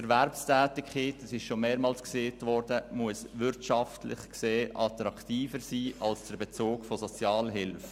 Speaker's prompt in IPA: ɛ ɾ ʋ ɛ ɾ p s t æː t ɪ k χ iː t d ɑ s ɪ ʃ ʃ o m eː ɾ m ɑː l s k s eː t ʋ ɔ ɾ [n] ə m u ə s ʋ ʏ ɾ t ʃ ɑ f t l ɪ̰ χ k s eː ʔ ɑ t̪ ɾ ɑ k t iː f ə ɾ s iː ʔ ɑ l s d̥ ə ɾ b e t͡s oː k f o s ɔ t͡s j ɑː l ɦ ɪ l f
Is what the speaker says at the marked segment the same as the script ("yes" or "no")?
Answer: no